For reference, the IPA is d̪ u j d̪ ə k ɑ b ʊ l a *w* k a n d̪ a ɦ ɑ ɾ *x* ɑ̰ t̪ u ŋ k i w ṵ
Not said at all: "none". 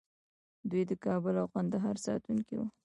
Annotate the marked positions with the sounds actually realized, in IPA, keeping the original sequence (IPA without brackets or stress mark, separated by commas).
w, s